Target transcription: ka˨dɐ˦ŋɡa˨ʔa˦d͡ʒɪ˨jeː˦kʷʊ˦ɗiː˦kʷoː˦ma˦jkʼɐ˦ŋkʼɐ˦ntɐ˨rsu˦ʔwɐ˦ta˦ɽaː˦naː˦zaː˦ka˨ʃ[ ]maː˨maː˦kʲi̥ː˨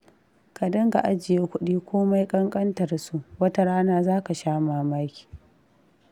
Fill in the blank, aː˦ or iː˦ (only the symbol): aː˦